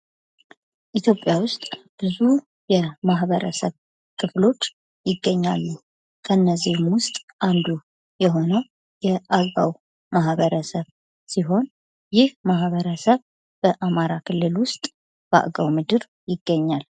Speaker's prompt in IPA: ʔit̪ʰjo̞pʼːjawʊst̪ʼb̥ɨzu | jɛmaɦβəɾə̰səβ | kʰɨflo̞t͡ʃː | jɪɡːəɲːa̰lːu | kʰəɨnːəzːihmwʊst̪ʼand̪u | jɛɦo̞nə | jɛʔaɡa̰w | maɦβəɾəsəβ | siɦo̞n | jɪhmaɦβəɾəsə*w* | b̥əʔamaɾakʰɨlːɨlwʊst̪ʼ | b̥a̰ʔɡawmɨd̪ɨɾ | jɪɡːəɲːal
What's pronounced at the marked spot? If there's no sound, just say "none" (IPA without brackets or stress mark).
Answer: β